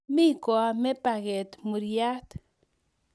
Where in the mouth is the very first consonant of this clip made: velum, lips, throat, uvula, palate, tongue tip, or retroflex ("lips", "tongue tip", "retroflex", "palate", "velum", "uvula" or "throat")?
lips